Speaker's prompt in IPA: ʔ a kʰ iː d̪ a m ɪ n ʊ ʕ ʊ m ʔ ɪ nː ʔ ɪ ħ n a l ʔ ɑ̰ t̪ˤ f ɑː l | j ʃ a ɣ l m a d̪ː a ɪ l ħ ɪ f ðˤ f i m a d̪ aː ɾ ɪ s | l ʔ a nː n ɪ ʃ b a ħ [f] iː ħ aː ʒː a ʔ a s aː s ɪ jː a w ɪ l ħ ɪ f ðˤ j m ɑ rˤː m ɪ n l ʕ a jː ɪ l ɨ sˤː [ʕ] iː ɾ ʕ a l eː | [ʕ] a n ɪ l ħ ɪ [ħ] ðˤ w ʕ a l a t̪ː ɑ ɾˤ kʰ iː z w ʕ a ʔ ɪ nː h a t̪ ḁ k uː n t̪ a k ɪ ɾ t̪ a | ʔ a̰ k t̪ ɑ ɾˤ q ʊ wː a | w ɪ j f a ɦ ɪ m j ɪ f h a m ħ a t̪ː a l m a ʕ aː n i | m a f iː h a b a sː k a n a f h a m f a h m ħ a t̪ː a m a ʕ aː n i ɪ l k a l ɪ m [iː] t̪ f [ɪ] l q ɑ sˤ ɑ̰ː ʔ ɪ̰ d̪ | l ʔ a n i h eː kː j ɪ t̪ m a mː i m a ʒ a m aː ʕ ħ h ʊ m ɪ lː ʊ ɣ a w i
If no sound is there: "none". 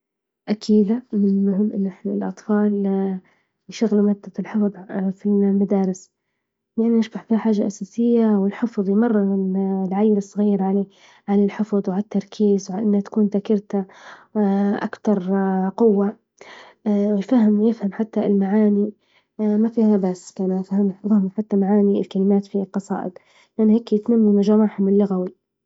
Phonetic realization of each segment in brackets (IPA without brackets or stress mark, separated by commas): f, ɣ, ʕ, f, aː, i